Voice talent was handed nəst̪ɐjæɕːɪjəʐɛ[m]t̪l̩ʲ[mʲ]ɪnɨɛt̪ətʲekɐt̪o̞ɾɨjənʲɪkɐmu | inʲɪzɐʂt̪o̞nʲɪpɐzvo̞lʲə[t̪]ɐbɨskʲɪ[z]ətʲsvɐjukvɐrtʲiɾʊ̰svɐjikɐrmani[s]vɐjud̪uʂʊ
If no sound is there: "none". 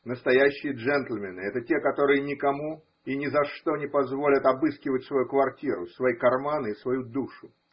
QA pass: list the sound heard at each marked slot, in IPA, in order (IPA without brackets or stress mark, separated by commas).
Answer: n, mʲ, t̪, v, s